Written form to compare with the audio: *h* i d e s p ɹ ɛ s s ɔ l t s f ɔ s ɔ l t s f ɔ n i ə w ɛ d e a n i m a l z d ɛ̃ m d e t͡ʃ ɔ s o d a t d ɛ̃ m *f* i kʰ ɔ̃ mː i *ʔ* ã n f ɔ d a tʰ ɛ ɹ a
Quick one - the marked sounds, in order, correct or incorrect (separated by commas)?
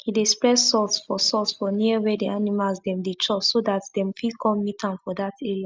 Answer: correct, correct, incorrect